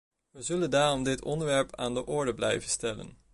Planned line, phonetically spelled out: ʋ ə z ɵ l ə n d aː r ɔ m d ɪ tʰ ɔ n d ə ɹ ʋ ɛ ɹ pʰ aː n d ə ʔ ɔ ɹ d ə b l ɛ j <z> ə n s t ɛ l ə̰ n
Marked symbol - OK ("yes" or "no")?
no